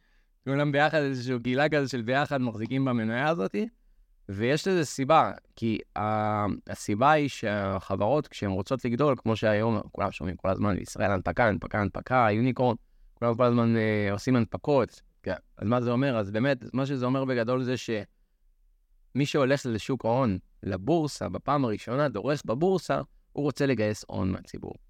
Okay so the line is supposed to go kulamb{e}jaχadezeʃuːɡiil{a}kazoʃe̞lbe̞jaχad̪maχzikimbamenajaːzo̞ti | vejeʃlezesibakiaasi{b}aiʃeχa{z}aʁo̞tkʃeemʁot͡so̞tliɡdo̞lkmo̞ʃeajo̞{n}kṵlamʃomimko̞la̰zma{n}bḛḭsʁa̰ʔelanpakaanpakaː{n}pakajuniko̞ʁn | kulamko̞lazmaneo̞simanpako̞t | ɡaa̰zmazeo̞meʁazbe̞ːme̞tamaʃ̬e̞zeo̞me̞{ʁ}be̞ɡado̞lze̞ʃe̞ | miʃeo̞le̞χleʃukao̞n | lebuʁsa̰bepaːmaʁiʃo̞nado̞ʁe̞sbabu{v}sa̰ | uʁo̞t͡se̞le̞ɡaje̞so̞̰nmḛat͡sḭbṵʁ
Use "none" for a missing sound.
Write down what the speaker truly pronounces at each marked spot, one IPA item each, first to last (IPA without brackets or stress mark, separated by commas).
e, a, b, v, m, n, n, ʁ, ʁ